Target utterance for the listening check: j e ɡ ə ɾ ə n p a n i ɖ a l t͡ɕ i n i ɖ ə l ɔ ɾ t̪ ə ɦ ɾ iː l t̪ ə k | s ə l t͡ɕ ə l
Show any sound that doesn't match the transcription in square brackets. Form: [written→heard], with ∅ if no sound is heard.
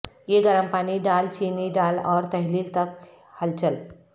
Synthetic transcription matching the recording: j e ɡ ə ɾ ə [n→m] p a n i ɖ a l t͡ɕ i n i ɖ [ə→a] l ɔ ɾ t̪ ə ɦ [ɾ→l] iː l t̪ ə k | [s→h] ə l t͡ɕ ə l